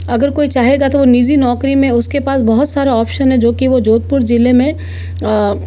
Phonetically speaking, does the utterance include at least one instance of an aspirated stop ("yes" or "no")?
no